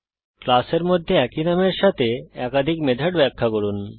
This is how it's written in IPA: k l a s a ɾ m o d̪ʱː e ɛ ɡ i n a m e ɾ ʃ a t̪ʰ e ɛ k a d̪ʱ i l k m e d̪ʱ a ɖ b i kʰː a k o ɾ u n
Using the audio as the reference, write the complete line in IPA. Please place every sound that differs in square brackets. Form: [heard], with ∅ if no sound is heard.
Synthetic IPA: k l a s [e] ɾ m o d̪ʱː e ɛ [k] i n a m e ɾ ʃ a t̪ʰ e ɛ k a d̪ʱ i [∅] k m e d̪ʱ a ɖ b [ɛ] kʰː a k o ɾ u n